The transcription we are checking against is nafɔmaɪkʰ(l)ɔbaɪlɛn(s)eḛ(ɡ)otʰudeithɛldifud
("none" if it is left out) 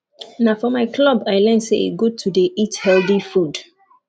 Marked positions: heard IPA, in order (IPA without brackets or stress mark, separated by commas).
l, s, ɡ